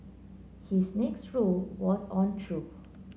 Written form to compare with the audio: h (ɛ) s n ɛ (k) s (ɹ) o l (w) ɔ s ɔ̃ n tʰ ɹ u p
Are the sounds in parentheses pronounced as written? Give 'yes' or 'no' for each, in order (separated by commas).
no, yes, yes, yes